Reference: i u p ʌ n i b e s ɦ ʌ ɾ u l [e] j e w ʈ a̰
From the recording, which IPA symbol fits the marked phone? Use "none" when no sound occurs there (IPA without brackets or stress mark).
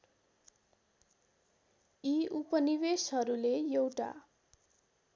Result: e